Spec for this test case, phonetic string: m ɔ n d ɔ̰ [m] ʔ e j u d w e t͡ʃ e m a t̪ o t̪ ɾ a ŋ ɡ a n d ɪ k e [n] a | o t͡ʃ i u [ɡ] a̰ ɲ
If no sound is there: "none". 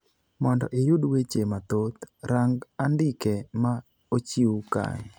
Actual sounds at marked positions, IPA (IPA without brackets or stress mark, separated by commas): none, m, k